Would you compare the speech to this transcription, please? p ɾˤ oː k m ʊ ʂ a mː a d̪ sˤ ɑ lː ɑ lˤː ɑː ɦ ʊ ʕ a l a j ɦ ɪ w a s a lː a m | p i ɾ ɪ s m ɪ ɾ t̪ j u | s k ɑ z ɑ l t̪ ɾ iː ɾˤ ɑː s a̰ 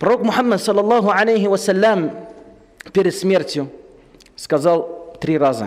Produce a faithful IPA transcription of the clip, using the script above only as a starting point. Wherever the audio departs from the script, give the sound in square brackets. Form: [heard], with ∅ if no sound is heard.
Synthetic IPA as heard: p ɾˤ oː k m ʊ [ħ] a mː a d̪ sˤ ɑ lː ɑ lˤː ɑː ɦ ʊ ʕ a l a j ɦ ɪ w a s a lː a m | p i ɾ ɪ s m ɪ ɾ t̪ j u | s k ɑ z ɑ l t̪ ɾ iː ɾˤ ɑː [z] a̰